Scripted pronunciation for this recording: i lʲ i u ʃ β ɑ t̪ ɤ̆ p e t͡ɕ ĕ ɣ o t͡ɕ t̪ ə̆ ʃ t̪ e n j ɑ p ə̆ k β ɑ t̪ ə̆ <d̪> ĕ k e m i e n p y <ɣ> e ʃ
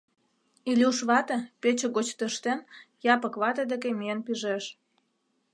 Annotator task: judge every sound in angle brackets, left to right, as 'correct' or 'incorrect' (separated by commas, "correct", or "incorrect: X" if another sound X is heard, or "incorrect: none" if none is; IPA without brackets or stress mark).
correct, incorrect: ʒ